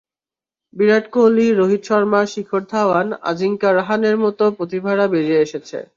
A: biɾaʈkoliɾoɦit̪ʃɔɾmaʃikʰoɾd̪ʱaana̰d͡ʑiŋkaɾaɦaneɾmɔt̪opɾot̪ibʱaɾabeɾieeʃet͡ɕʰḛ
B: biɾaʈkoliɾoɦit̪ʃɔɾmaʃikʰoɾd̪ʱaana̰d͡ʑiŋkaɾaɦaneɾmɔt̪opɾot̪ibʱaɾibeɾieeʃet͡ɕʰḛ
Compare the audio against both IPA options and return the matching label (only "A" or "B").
A